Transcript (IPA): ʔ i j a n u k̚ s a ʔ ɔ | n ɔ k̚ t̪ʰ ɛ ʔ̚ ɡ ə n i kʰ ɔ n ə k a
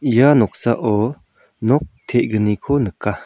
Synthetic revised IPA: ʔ i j a n ɔ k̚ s a ʔ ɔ | n ɔ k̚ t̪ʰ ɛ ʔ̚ ɡ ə n i kʰ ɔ n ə k a